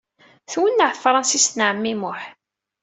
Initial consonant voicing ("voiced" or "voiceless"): voiceless